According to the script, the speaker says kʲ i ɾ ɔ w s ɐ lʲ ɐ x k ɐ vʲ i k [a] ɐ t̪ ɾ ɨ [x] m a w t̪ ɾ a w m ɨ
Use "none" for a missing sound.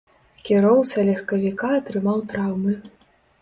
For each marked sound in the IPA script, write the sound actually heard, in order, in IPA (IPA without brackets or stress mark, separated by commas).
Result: a, none